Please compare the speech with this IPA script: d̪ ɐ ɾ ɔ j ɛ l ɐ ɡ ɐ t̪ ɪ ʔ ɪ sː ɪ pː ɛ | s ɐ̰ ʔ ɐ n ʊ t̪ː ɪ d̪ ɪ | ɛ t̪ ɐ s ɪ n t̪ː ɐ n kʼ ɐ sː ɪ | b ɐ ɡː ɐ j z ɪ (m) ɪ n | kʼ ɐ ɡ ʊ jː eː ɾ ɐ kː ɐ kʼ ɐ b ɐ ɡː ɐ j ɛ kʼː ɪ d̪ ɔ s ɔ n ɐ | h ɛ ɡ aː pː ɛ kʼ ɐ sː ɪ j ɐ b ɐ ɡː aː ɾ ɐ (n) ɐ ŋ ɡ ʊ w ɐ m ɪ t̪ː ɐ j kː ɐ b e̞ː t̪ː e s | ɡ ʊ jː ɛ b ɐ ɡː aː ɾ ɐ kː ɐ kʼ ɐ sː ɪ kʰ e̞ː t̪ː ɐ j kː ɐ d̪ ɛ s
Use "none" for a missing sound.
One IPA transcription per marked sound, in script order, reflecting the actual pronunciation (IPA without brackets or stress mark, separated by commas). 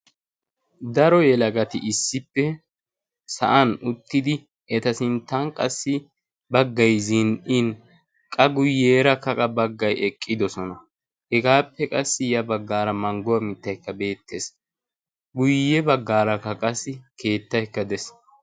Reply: n, m